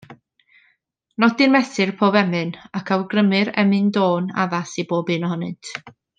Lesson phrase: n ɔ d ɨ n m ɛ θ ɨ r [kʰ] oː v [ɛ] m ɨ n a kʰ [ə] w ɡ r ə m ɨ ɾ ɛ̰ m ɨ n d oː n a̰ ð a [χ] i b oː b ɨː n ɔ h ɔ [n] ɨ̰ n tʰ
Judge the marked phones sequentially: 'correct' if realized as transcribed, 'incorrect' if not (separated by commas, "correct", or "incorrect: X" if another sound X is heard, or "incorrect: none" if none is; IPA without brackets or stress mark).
incorrect: pʰ, correct, incorrect: a, incorrect: s, correct